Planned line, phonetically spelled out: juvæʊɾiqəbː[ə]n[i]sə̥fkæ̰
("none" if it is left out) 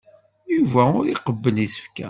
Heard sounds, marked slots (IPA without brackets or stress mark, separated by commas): ə, i